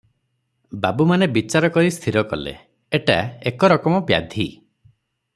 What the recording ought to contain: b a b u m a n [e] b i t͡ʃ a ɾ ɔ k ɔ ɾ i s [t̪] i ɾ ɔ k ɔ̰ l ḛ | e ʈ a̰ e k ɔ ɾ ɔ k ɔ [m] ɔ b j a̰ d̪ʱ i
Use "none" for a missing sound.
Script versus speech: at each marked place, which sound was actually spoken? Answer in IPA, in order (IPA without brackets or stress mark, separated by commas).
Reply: e, t̪ʰ, m